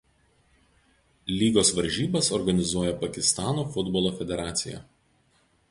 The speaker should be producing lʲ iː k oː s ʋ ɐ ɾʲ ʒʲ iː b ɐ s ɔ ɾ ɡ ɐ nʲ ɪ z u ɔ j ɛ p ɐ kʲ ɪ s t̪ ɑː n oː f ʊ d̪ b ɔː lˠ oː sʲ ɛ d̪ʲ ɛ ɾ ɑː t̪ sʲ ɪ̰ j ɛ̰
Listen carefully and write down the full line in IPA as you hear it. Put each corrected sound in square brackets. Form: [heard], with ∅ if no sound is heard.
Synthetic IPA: lʲ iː [ɡ] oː s ʋ ɐ ɾʲ ʒʲ iː b ɐ s ɔ ɾ ɡ ɐ nʲ ɪ z u ɔ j ɛ p ɐ kʲ ɪ s t̪ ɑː n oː f ʊ d̪ b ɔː lˠ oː [fʲ] ɛ d̪ʲ ɛ ɾ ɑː t̪ sʲ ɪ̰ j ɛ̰

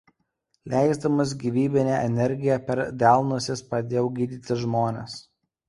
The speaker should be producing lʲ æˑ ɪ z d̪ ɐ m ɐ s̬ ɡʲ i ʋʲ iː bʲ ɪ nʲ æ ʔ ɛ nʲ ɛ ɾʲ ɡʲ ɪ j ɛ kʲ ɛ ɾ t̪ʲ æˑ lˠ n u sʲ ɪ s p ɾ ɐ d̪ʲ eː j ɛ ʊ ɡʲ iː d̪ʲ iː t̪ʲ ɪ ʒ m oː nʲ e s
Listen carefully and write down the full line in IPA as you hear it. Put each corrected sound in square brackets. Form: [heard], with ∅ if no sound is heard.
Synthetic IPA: lʲ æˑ ɪ z d̪ ɐ m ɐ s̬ ɡʲ i ʋʲ iː bʲ ɪ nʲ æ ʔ ɛ nʲ ɛ ɾʲ ɡʲ ɪ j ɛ [pʲ] ɛ ɾ [d̪ʲ] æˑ lˠ n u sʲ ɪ s p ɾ ɐ d̪ʲ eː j ɛ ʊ ɡʲ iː d̪ʲ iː t̪ʲ ɪ ʒ m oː nʲ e s

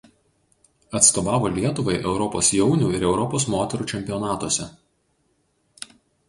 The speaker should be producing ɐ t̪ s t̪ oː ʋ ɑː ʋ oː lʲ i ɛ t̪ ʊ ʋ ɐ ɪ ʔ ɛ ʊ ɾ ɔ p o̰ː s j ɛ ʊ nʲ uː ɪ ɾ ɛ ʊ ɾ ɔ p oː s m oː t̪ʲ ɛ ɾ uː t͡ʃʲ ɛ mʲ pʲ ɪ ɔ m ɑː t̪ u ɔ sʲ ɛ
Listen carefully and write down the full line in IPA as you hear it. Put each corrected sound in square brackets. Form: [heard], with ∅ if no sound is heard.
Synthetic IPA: ɐ t̪ s t̪ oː ʋ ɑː ʋ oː lʲ i ɛ t̪ ʊ ʋ ɐ ɪ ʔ ɛ ʊ ɾ ɔ p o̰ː s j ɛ ʊ nʲ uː ɪ ɾ ɛ ʊ ɾ ɔ p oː s m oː t̪ʲ ɛ ɾ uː t͡ʃʲ ɛ mʲ pʲ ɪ ɔ [n] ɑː t̪ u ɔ sʲ ɛ

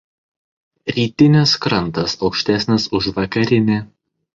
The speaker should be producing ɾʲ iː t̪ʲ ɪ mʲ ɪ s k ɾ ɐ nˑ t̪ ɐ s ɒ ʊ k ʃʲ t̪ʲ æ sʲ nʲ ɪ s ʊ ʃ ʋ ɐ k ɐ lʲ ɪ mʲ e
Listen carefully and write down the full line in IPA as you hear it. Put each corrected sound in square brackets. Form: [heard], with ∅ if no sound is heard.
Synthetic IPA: ɾʲ iː t̪ʲ ɪ [nʲ] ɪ s k ɾ ɐ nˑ t̪ ɐ s ɒ ʊ k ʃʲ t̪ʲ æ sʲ nʲ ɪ s ʊ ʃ ʋ ɐ k ɐ [ɾʲ] ɪ [nʲ] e

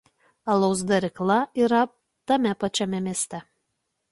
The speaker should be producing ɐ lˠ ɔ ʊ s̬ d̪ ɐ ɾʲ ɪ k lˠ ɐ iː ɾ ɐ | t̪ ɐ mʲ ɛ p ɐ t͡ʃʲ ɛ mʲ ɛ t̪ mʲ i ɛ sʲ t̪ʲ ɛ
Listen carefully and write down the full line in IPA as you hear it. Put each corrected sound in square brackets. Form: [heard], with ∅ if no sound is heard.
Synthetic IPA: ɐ lˠ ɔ ʊ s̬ d̪ ɐ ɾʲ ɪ k lˠ ɐ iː ɾ ɐ | t̪ ɐ mʲ ɛ p ɐ t͡ʃʲ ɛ mʲ ɛ [∅] mʲ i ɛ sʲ t̪ʲ ɛ

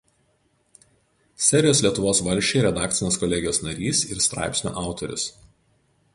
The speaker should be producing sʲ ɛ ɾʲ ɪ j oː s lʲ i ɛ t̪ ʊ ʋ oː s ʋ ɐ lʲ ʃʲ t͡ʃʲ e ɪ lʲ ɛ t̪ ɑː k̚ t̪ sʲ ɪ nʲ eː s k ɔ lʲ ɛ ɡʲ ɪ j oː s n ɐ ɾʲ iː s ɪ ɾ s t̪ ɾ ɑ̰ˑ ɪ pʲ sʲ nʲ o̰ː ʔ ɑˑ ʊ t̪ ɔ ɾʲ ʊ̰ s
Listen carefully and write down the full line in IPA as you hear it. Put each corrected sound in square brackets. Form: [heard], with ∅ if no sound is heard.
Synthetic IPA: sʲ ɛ ɾʲ ɪ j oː s lʲ i ɛ t̪ ʊ ʋ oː s ʋ ɐ lʲ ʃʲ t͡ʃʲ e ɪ [ɾʲ] ɛ [d̪] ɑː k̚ t̪ sʲ ɪ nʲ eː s k ɔ lʲ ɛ ɡʲ ɪ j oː s n ɐ ɾʲ iː s ɪ ɾ s t̪ ɾ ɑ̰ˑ ɪ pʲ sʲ nʲ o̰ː ʔ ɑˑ ʊ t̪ ɔ ɾʲ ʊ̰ s

